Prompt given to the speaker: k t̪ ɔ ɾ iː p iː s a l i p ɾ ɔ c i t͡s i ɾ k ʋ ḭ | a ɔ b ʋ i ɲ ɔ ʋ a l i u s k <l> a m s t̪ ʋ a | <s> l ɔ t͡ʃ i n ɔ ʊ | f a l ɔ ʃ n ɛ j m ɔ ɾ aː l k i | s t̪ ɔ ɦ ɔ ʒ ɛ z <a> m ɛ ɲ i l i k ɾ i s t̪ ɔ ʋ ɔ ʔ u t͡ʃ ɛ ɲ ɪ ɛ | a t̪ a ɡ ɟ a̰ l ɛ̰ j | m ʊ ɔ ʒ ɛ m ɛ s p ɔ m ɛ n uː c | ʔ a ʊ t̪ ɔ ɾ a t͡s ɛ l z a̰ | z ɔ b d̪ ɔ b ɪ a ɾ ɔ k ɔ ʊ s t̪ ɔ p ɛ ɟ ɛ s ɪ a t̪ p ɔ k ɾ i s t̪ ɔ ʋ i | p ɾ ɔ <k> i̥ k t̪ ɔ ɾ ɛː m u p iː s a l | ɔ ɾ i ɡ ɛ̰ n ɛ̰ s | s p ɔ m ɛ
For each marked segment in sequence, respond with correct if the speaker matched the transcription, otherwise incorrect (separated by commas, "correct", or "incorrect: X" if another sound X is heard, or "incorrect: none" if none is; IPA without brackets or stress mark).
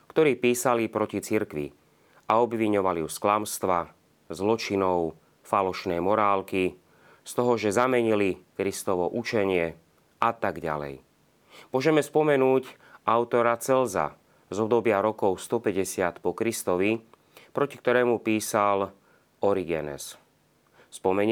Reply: correct, incorrect: z, correct, incorrect: c